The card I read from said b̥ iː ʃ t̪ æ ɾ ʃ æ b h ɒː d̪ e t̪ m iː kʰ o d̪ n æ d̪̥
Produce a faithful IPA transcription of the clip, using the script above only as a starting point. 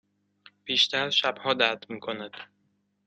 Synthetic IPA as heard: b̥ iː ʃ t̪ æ ɾ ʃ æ b h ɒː d̪ æ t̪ m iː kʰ o n æ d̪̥

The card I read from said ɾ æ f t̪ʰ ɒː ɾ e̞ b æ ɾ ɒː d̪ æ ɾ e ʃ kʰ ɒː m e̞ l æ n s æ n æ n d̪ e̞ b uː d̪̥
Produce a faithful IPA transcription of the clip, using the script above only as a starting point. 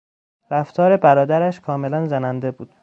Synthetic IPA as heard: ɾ æ f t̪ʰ ɒː ɾ e̞ b æ ɾ ɒː d̪ æ ɾ æ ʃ kʰ ɒː m e̞ l æ n z æ n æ n d̪ e̞ b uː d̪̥

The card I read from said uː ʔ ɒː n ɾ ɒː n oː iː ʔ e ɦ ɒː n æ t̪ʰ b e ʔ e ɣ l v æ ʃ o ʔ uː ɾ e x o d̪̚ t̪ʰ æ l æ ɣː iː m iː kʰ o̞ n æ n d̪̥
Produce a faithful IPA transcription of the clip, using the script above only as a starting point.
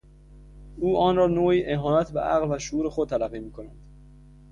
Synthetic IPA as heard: uː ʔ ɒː n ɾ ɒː n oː iː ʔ e ɦ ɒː n æ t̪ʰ b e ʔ æ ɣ l v æ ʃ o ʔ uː ɾ e x o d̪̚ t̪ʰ æ l æ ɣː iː m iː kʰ o̞ n æ n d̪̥

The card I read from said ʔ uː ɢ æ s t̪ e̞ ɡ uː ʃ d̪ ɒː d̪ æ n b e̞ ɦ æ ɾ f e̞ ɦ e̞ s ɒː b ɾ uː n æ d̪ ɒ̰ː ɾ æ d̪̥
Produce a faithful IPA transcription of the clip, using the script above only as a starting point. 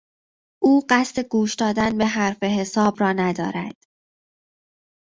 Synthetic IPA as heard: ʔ uː ɢ æ s t̪ e̞ ɡ uː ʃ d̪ ɒː d̪ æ n b e̞ ɦ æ ɾ f e̞ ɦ e̞ s ɒː b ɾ ɒː n æ d̪ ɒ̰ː ɾ æ d̪̥

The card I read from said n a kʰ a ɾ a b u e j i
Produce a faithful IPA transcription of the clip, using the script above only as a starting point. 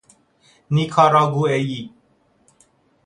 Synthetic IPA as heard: n i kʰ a ɾ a ɡ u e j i

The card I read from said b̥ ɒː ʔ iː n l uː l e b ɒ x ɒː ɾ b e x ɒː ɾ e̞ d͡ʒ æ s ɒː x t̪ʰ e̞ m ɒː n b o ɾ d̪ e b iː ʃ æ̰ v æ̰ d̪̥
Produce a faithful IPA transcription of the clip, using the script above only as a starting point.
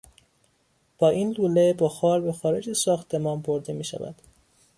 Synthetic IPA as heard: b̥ ɒː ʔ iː n l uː l e b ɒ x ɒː ɾ b e x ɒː ɾ e̞ d͡ʒ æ s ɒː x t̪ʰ e̞ m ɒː n b o ɾ d̪ e m iː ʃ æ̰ v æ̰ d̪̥

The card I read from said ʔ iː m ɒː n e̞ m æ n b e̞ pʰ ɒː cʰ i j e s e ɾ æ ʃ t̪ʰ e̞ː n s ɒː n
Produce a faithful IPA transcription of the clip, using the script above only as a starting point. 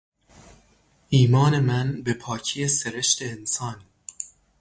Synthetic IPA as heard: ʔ iː m ɒː n e̞ m æ n b e̞ pʰ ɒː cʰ i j e s e ɾ e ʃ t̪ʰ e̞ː n s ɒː n

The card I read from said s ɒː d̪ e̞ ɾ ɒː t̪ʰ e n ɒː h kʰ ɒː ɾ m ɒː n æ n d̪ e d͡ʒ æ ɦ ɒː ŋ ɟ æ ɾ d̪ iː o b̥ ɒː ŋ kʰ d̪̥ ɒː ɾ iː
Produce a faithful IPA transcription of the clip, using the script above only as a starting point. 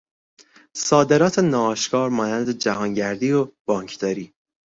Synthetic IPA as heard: s ɒː d̪ e̞ ɾ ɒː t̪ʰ e n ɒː ʃ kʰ ɒː ɾ m ɒː n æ n d̪ e d͡ʒ æ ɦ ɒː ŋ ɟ æ ɾ d̪ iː o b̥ ɒː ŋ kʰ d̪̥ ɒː ɾ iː

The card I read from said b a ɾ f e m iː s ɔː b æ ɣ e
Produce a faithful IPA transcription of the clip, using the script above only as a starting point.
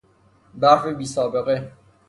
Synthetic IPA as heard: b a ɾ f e b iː s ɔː b e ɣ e

